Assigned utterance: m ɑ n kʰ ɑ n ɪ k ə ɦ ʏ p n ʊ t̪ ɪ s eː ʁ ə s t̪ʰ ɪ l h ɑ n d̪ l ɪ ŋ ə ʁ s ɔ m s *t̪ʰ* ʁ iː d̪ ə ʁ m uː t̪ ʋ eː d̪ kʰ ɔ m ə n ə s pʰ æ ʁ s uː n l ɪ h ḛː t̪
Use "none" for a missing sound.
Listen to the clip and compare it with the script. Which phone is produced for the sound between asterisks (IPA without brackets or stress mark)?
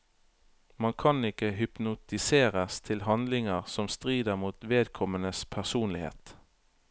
t̪